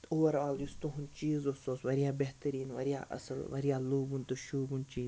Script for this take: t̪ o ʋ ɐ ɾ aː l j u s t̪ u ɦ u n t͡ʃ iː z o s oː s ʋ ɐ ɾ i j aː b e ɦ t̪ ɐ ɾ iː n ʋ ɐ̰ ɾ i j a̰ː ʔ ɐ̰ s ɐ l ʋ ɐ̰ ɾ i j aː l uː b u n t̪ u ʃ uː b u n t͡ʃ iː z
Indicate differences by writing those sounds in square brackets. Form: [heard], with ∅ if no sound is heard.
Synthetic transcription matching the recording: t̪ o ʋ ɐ ɾ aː l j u s t̪ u ɦ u n t͡ʃ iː z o s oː s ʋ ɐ ɾ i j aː b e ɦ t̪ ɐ ɾ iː n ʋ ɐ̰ ɾ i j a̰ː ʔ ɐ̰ s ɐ l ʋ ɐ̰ ɾ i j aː l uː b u n t̪ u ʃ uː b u n t͡ʃ iː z